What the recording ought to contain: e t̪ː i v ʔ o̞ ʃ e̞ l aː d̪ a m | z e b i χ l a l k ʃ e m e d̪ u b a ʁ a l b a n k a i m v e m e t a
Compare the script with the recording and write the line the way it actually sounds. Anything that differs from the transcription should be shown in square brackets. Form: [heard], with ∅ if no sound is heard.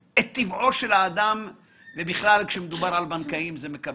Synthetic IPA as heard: e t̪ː i v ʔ o̞ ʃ e̞ l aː d̪ a m | [v] e b i χ l a l k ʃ e m e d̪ u b a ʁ a l b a n k a i m [z] e m e [k] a